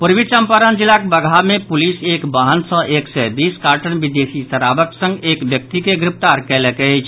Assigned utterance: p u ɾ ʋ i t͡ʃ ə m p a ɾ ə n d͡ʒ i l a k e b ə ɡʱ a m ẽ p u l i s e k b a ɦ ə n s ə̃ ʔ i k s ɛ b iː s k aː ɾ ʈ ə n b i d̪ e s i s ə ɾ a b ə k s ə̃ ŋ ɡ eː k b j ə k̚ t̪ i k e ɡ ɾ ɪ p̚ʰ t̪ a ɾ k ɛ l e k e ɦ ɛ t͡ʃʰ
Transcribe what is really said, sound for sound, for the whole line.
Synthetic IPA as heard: p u ɾ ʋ i t͡ʃ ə m p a ɾ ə n d͡ʒ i l a k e b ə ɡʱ a m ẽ p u l i s e k b a ɦ ə n s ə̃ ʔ e k s ɛ b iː s k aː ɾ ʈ ə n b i d̪ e s i s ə ɾ a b ə k s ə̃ ŋ ɡ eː k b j ə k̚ t̪ i k e ɡ ɾ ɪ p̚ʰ t̪ a ɾ k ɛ l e k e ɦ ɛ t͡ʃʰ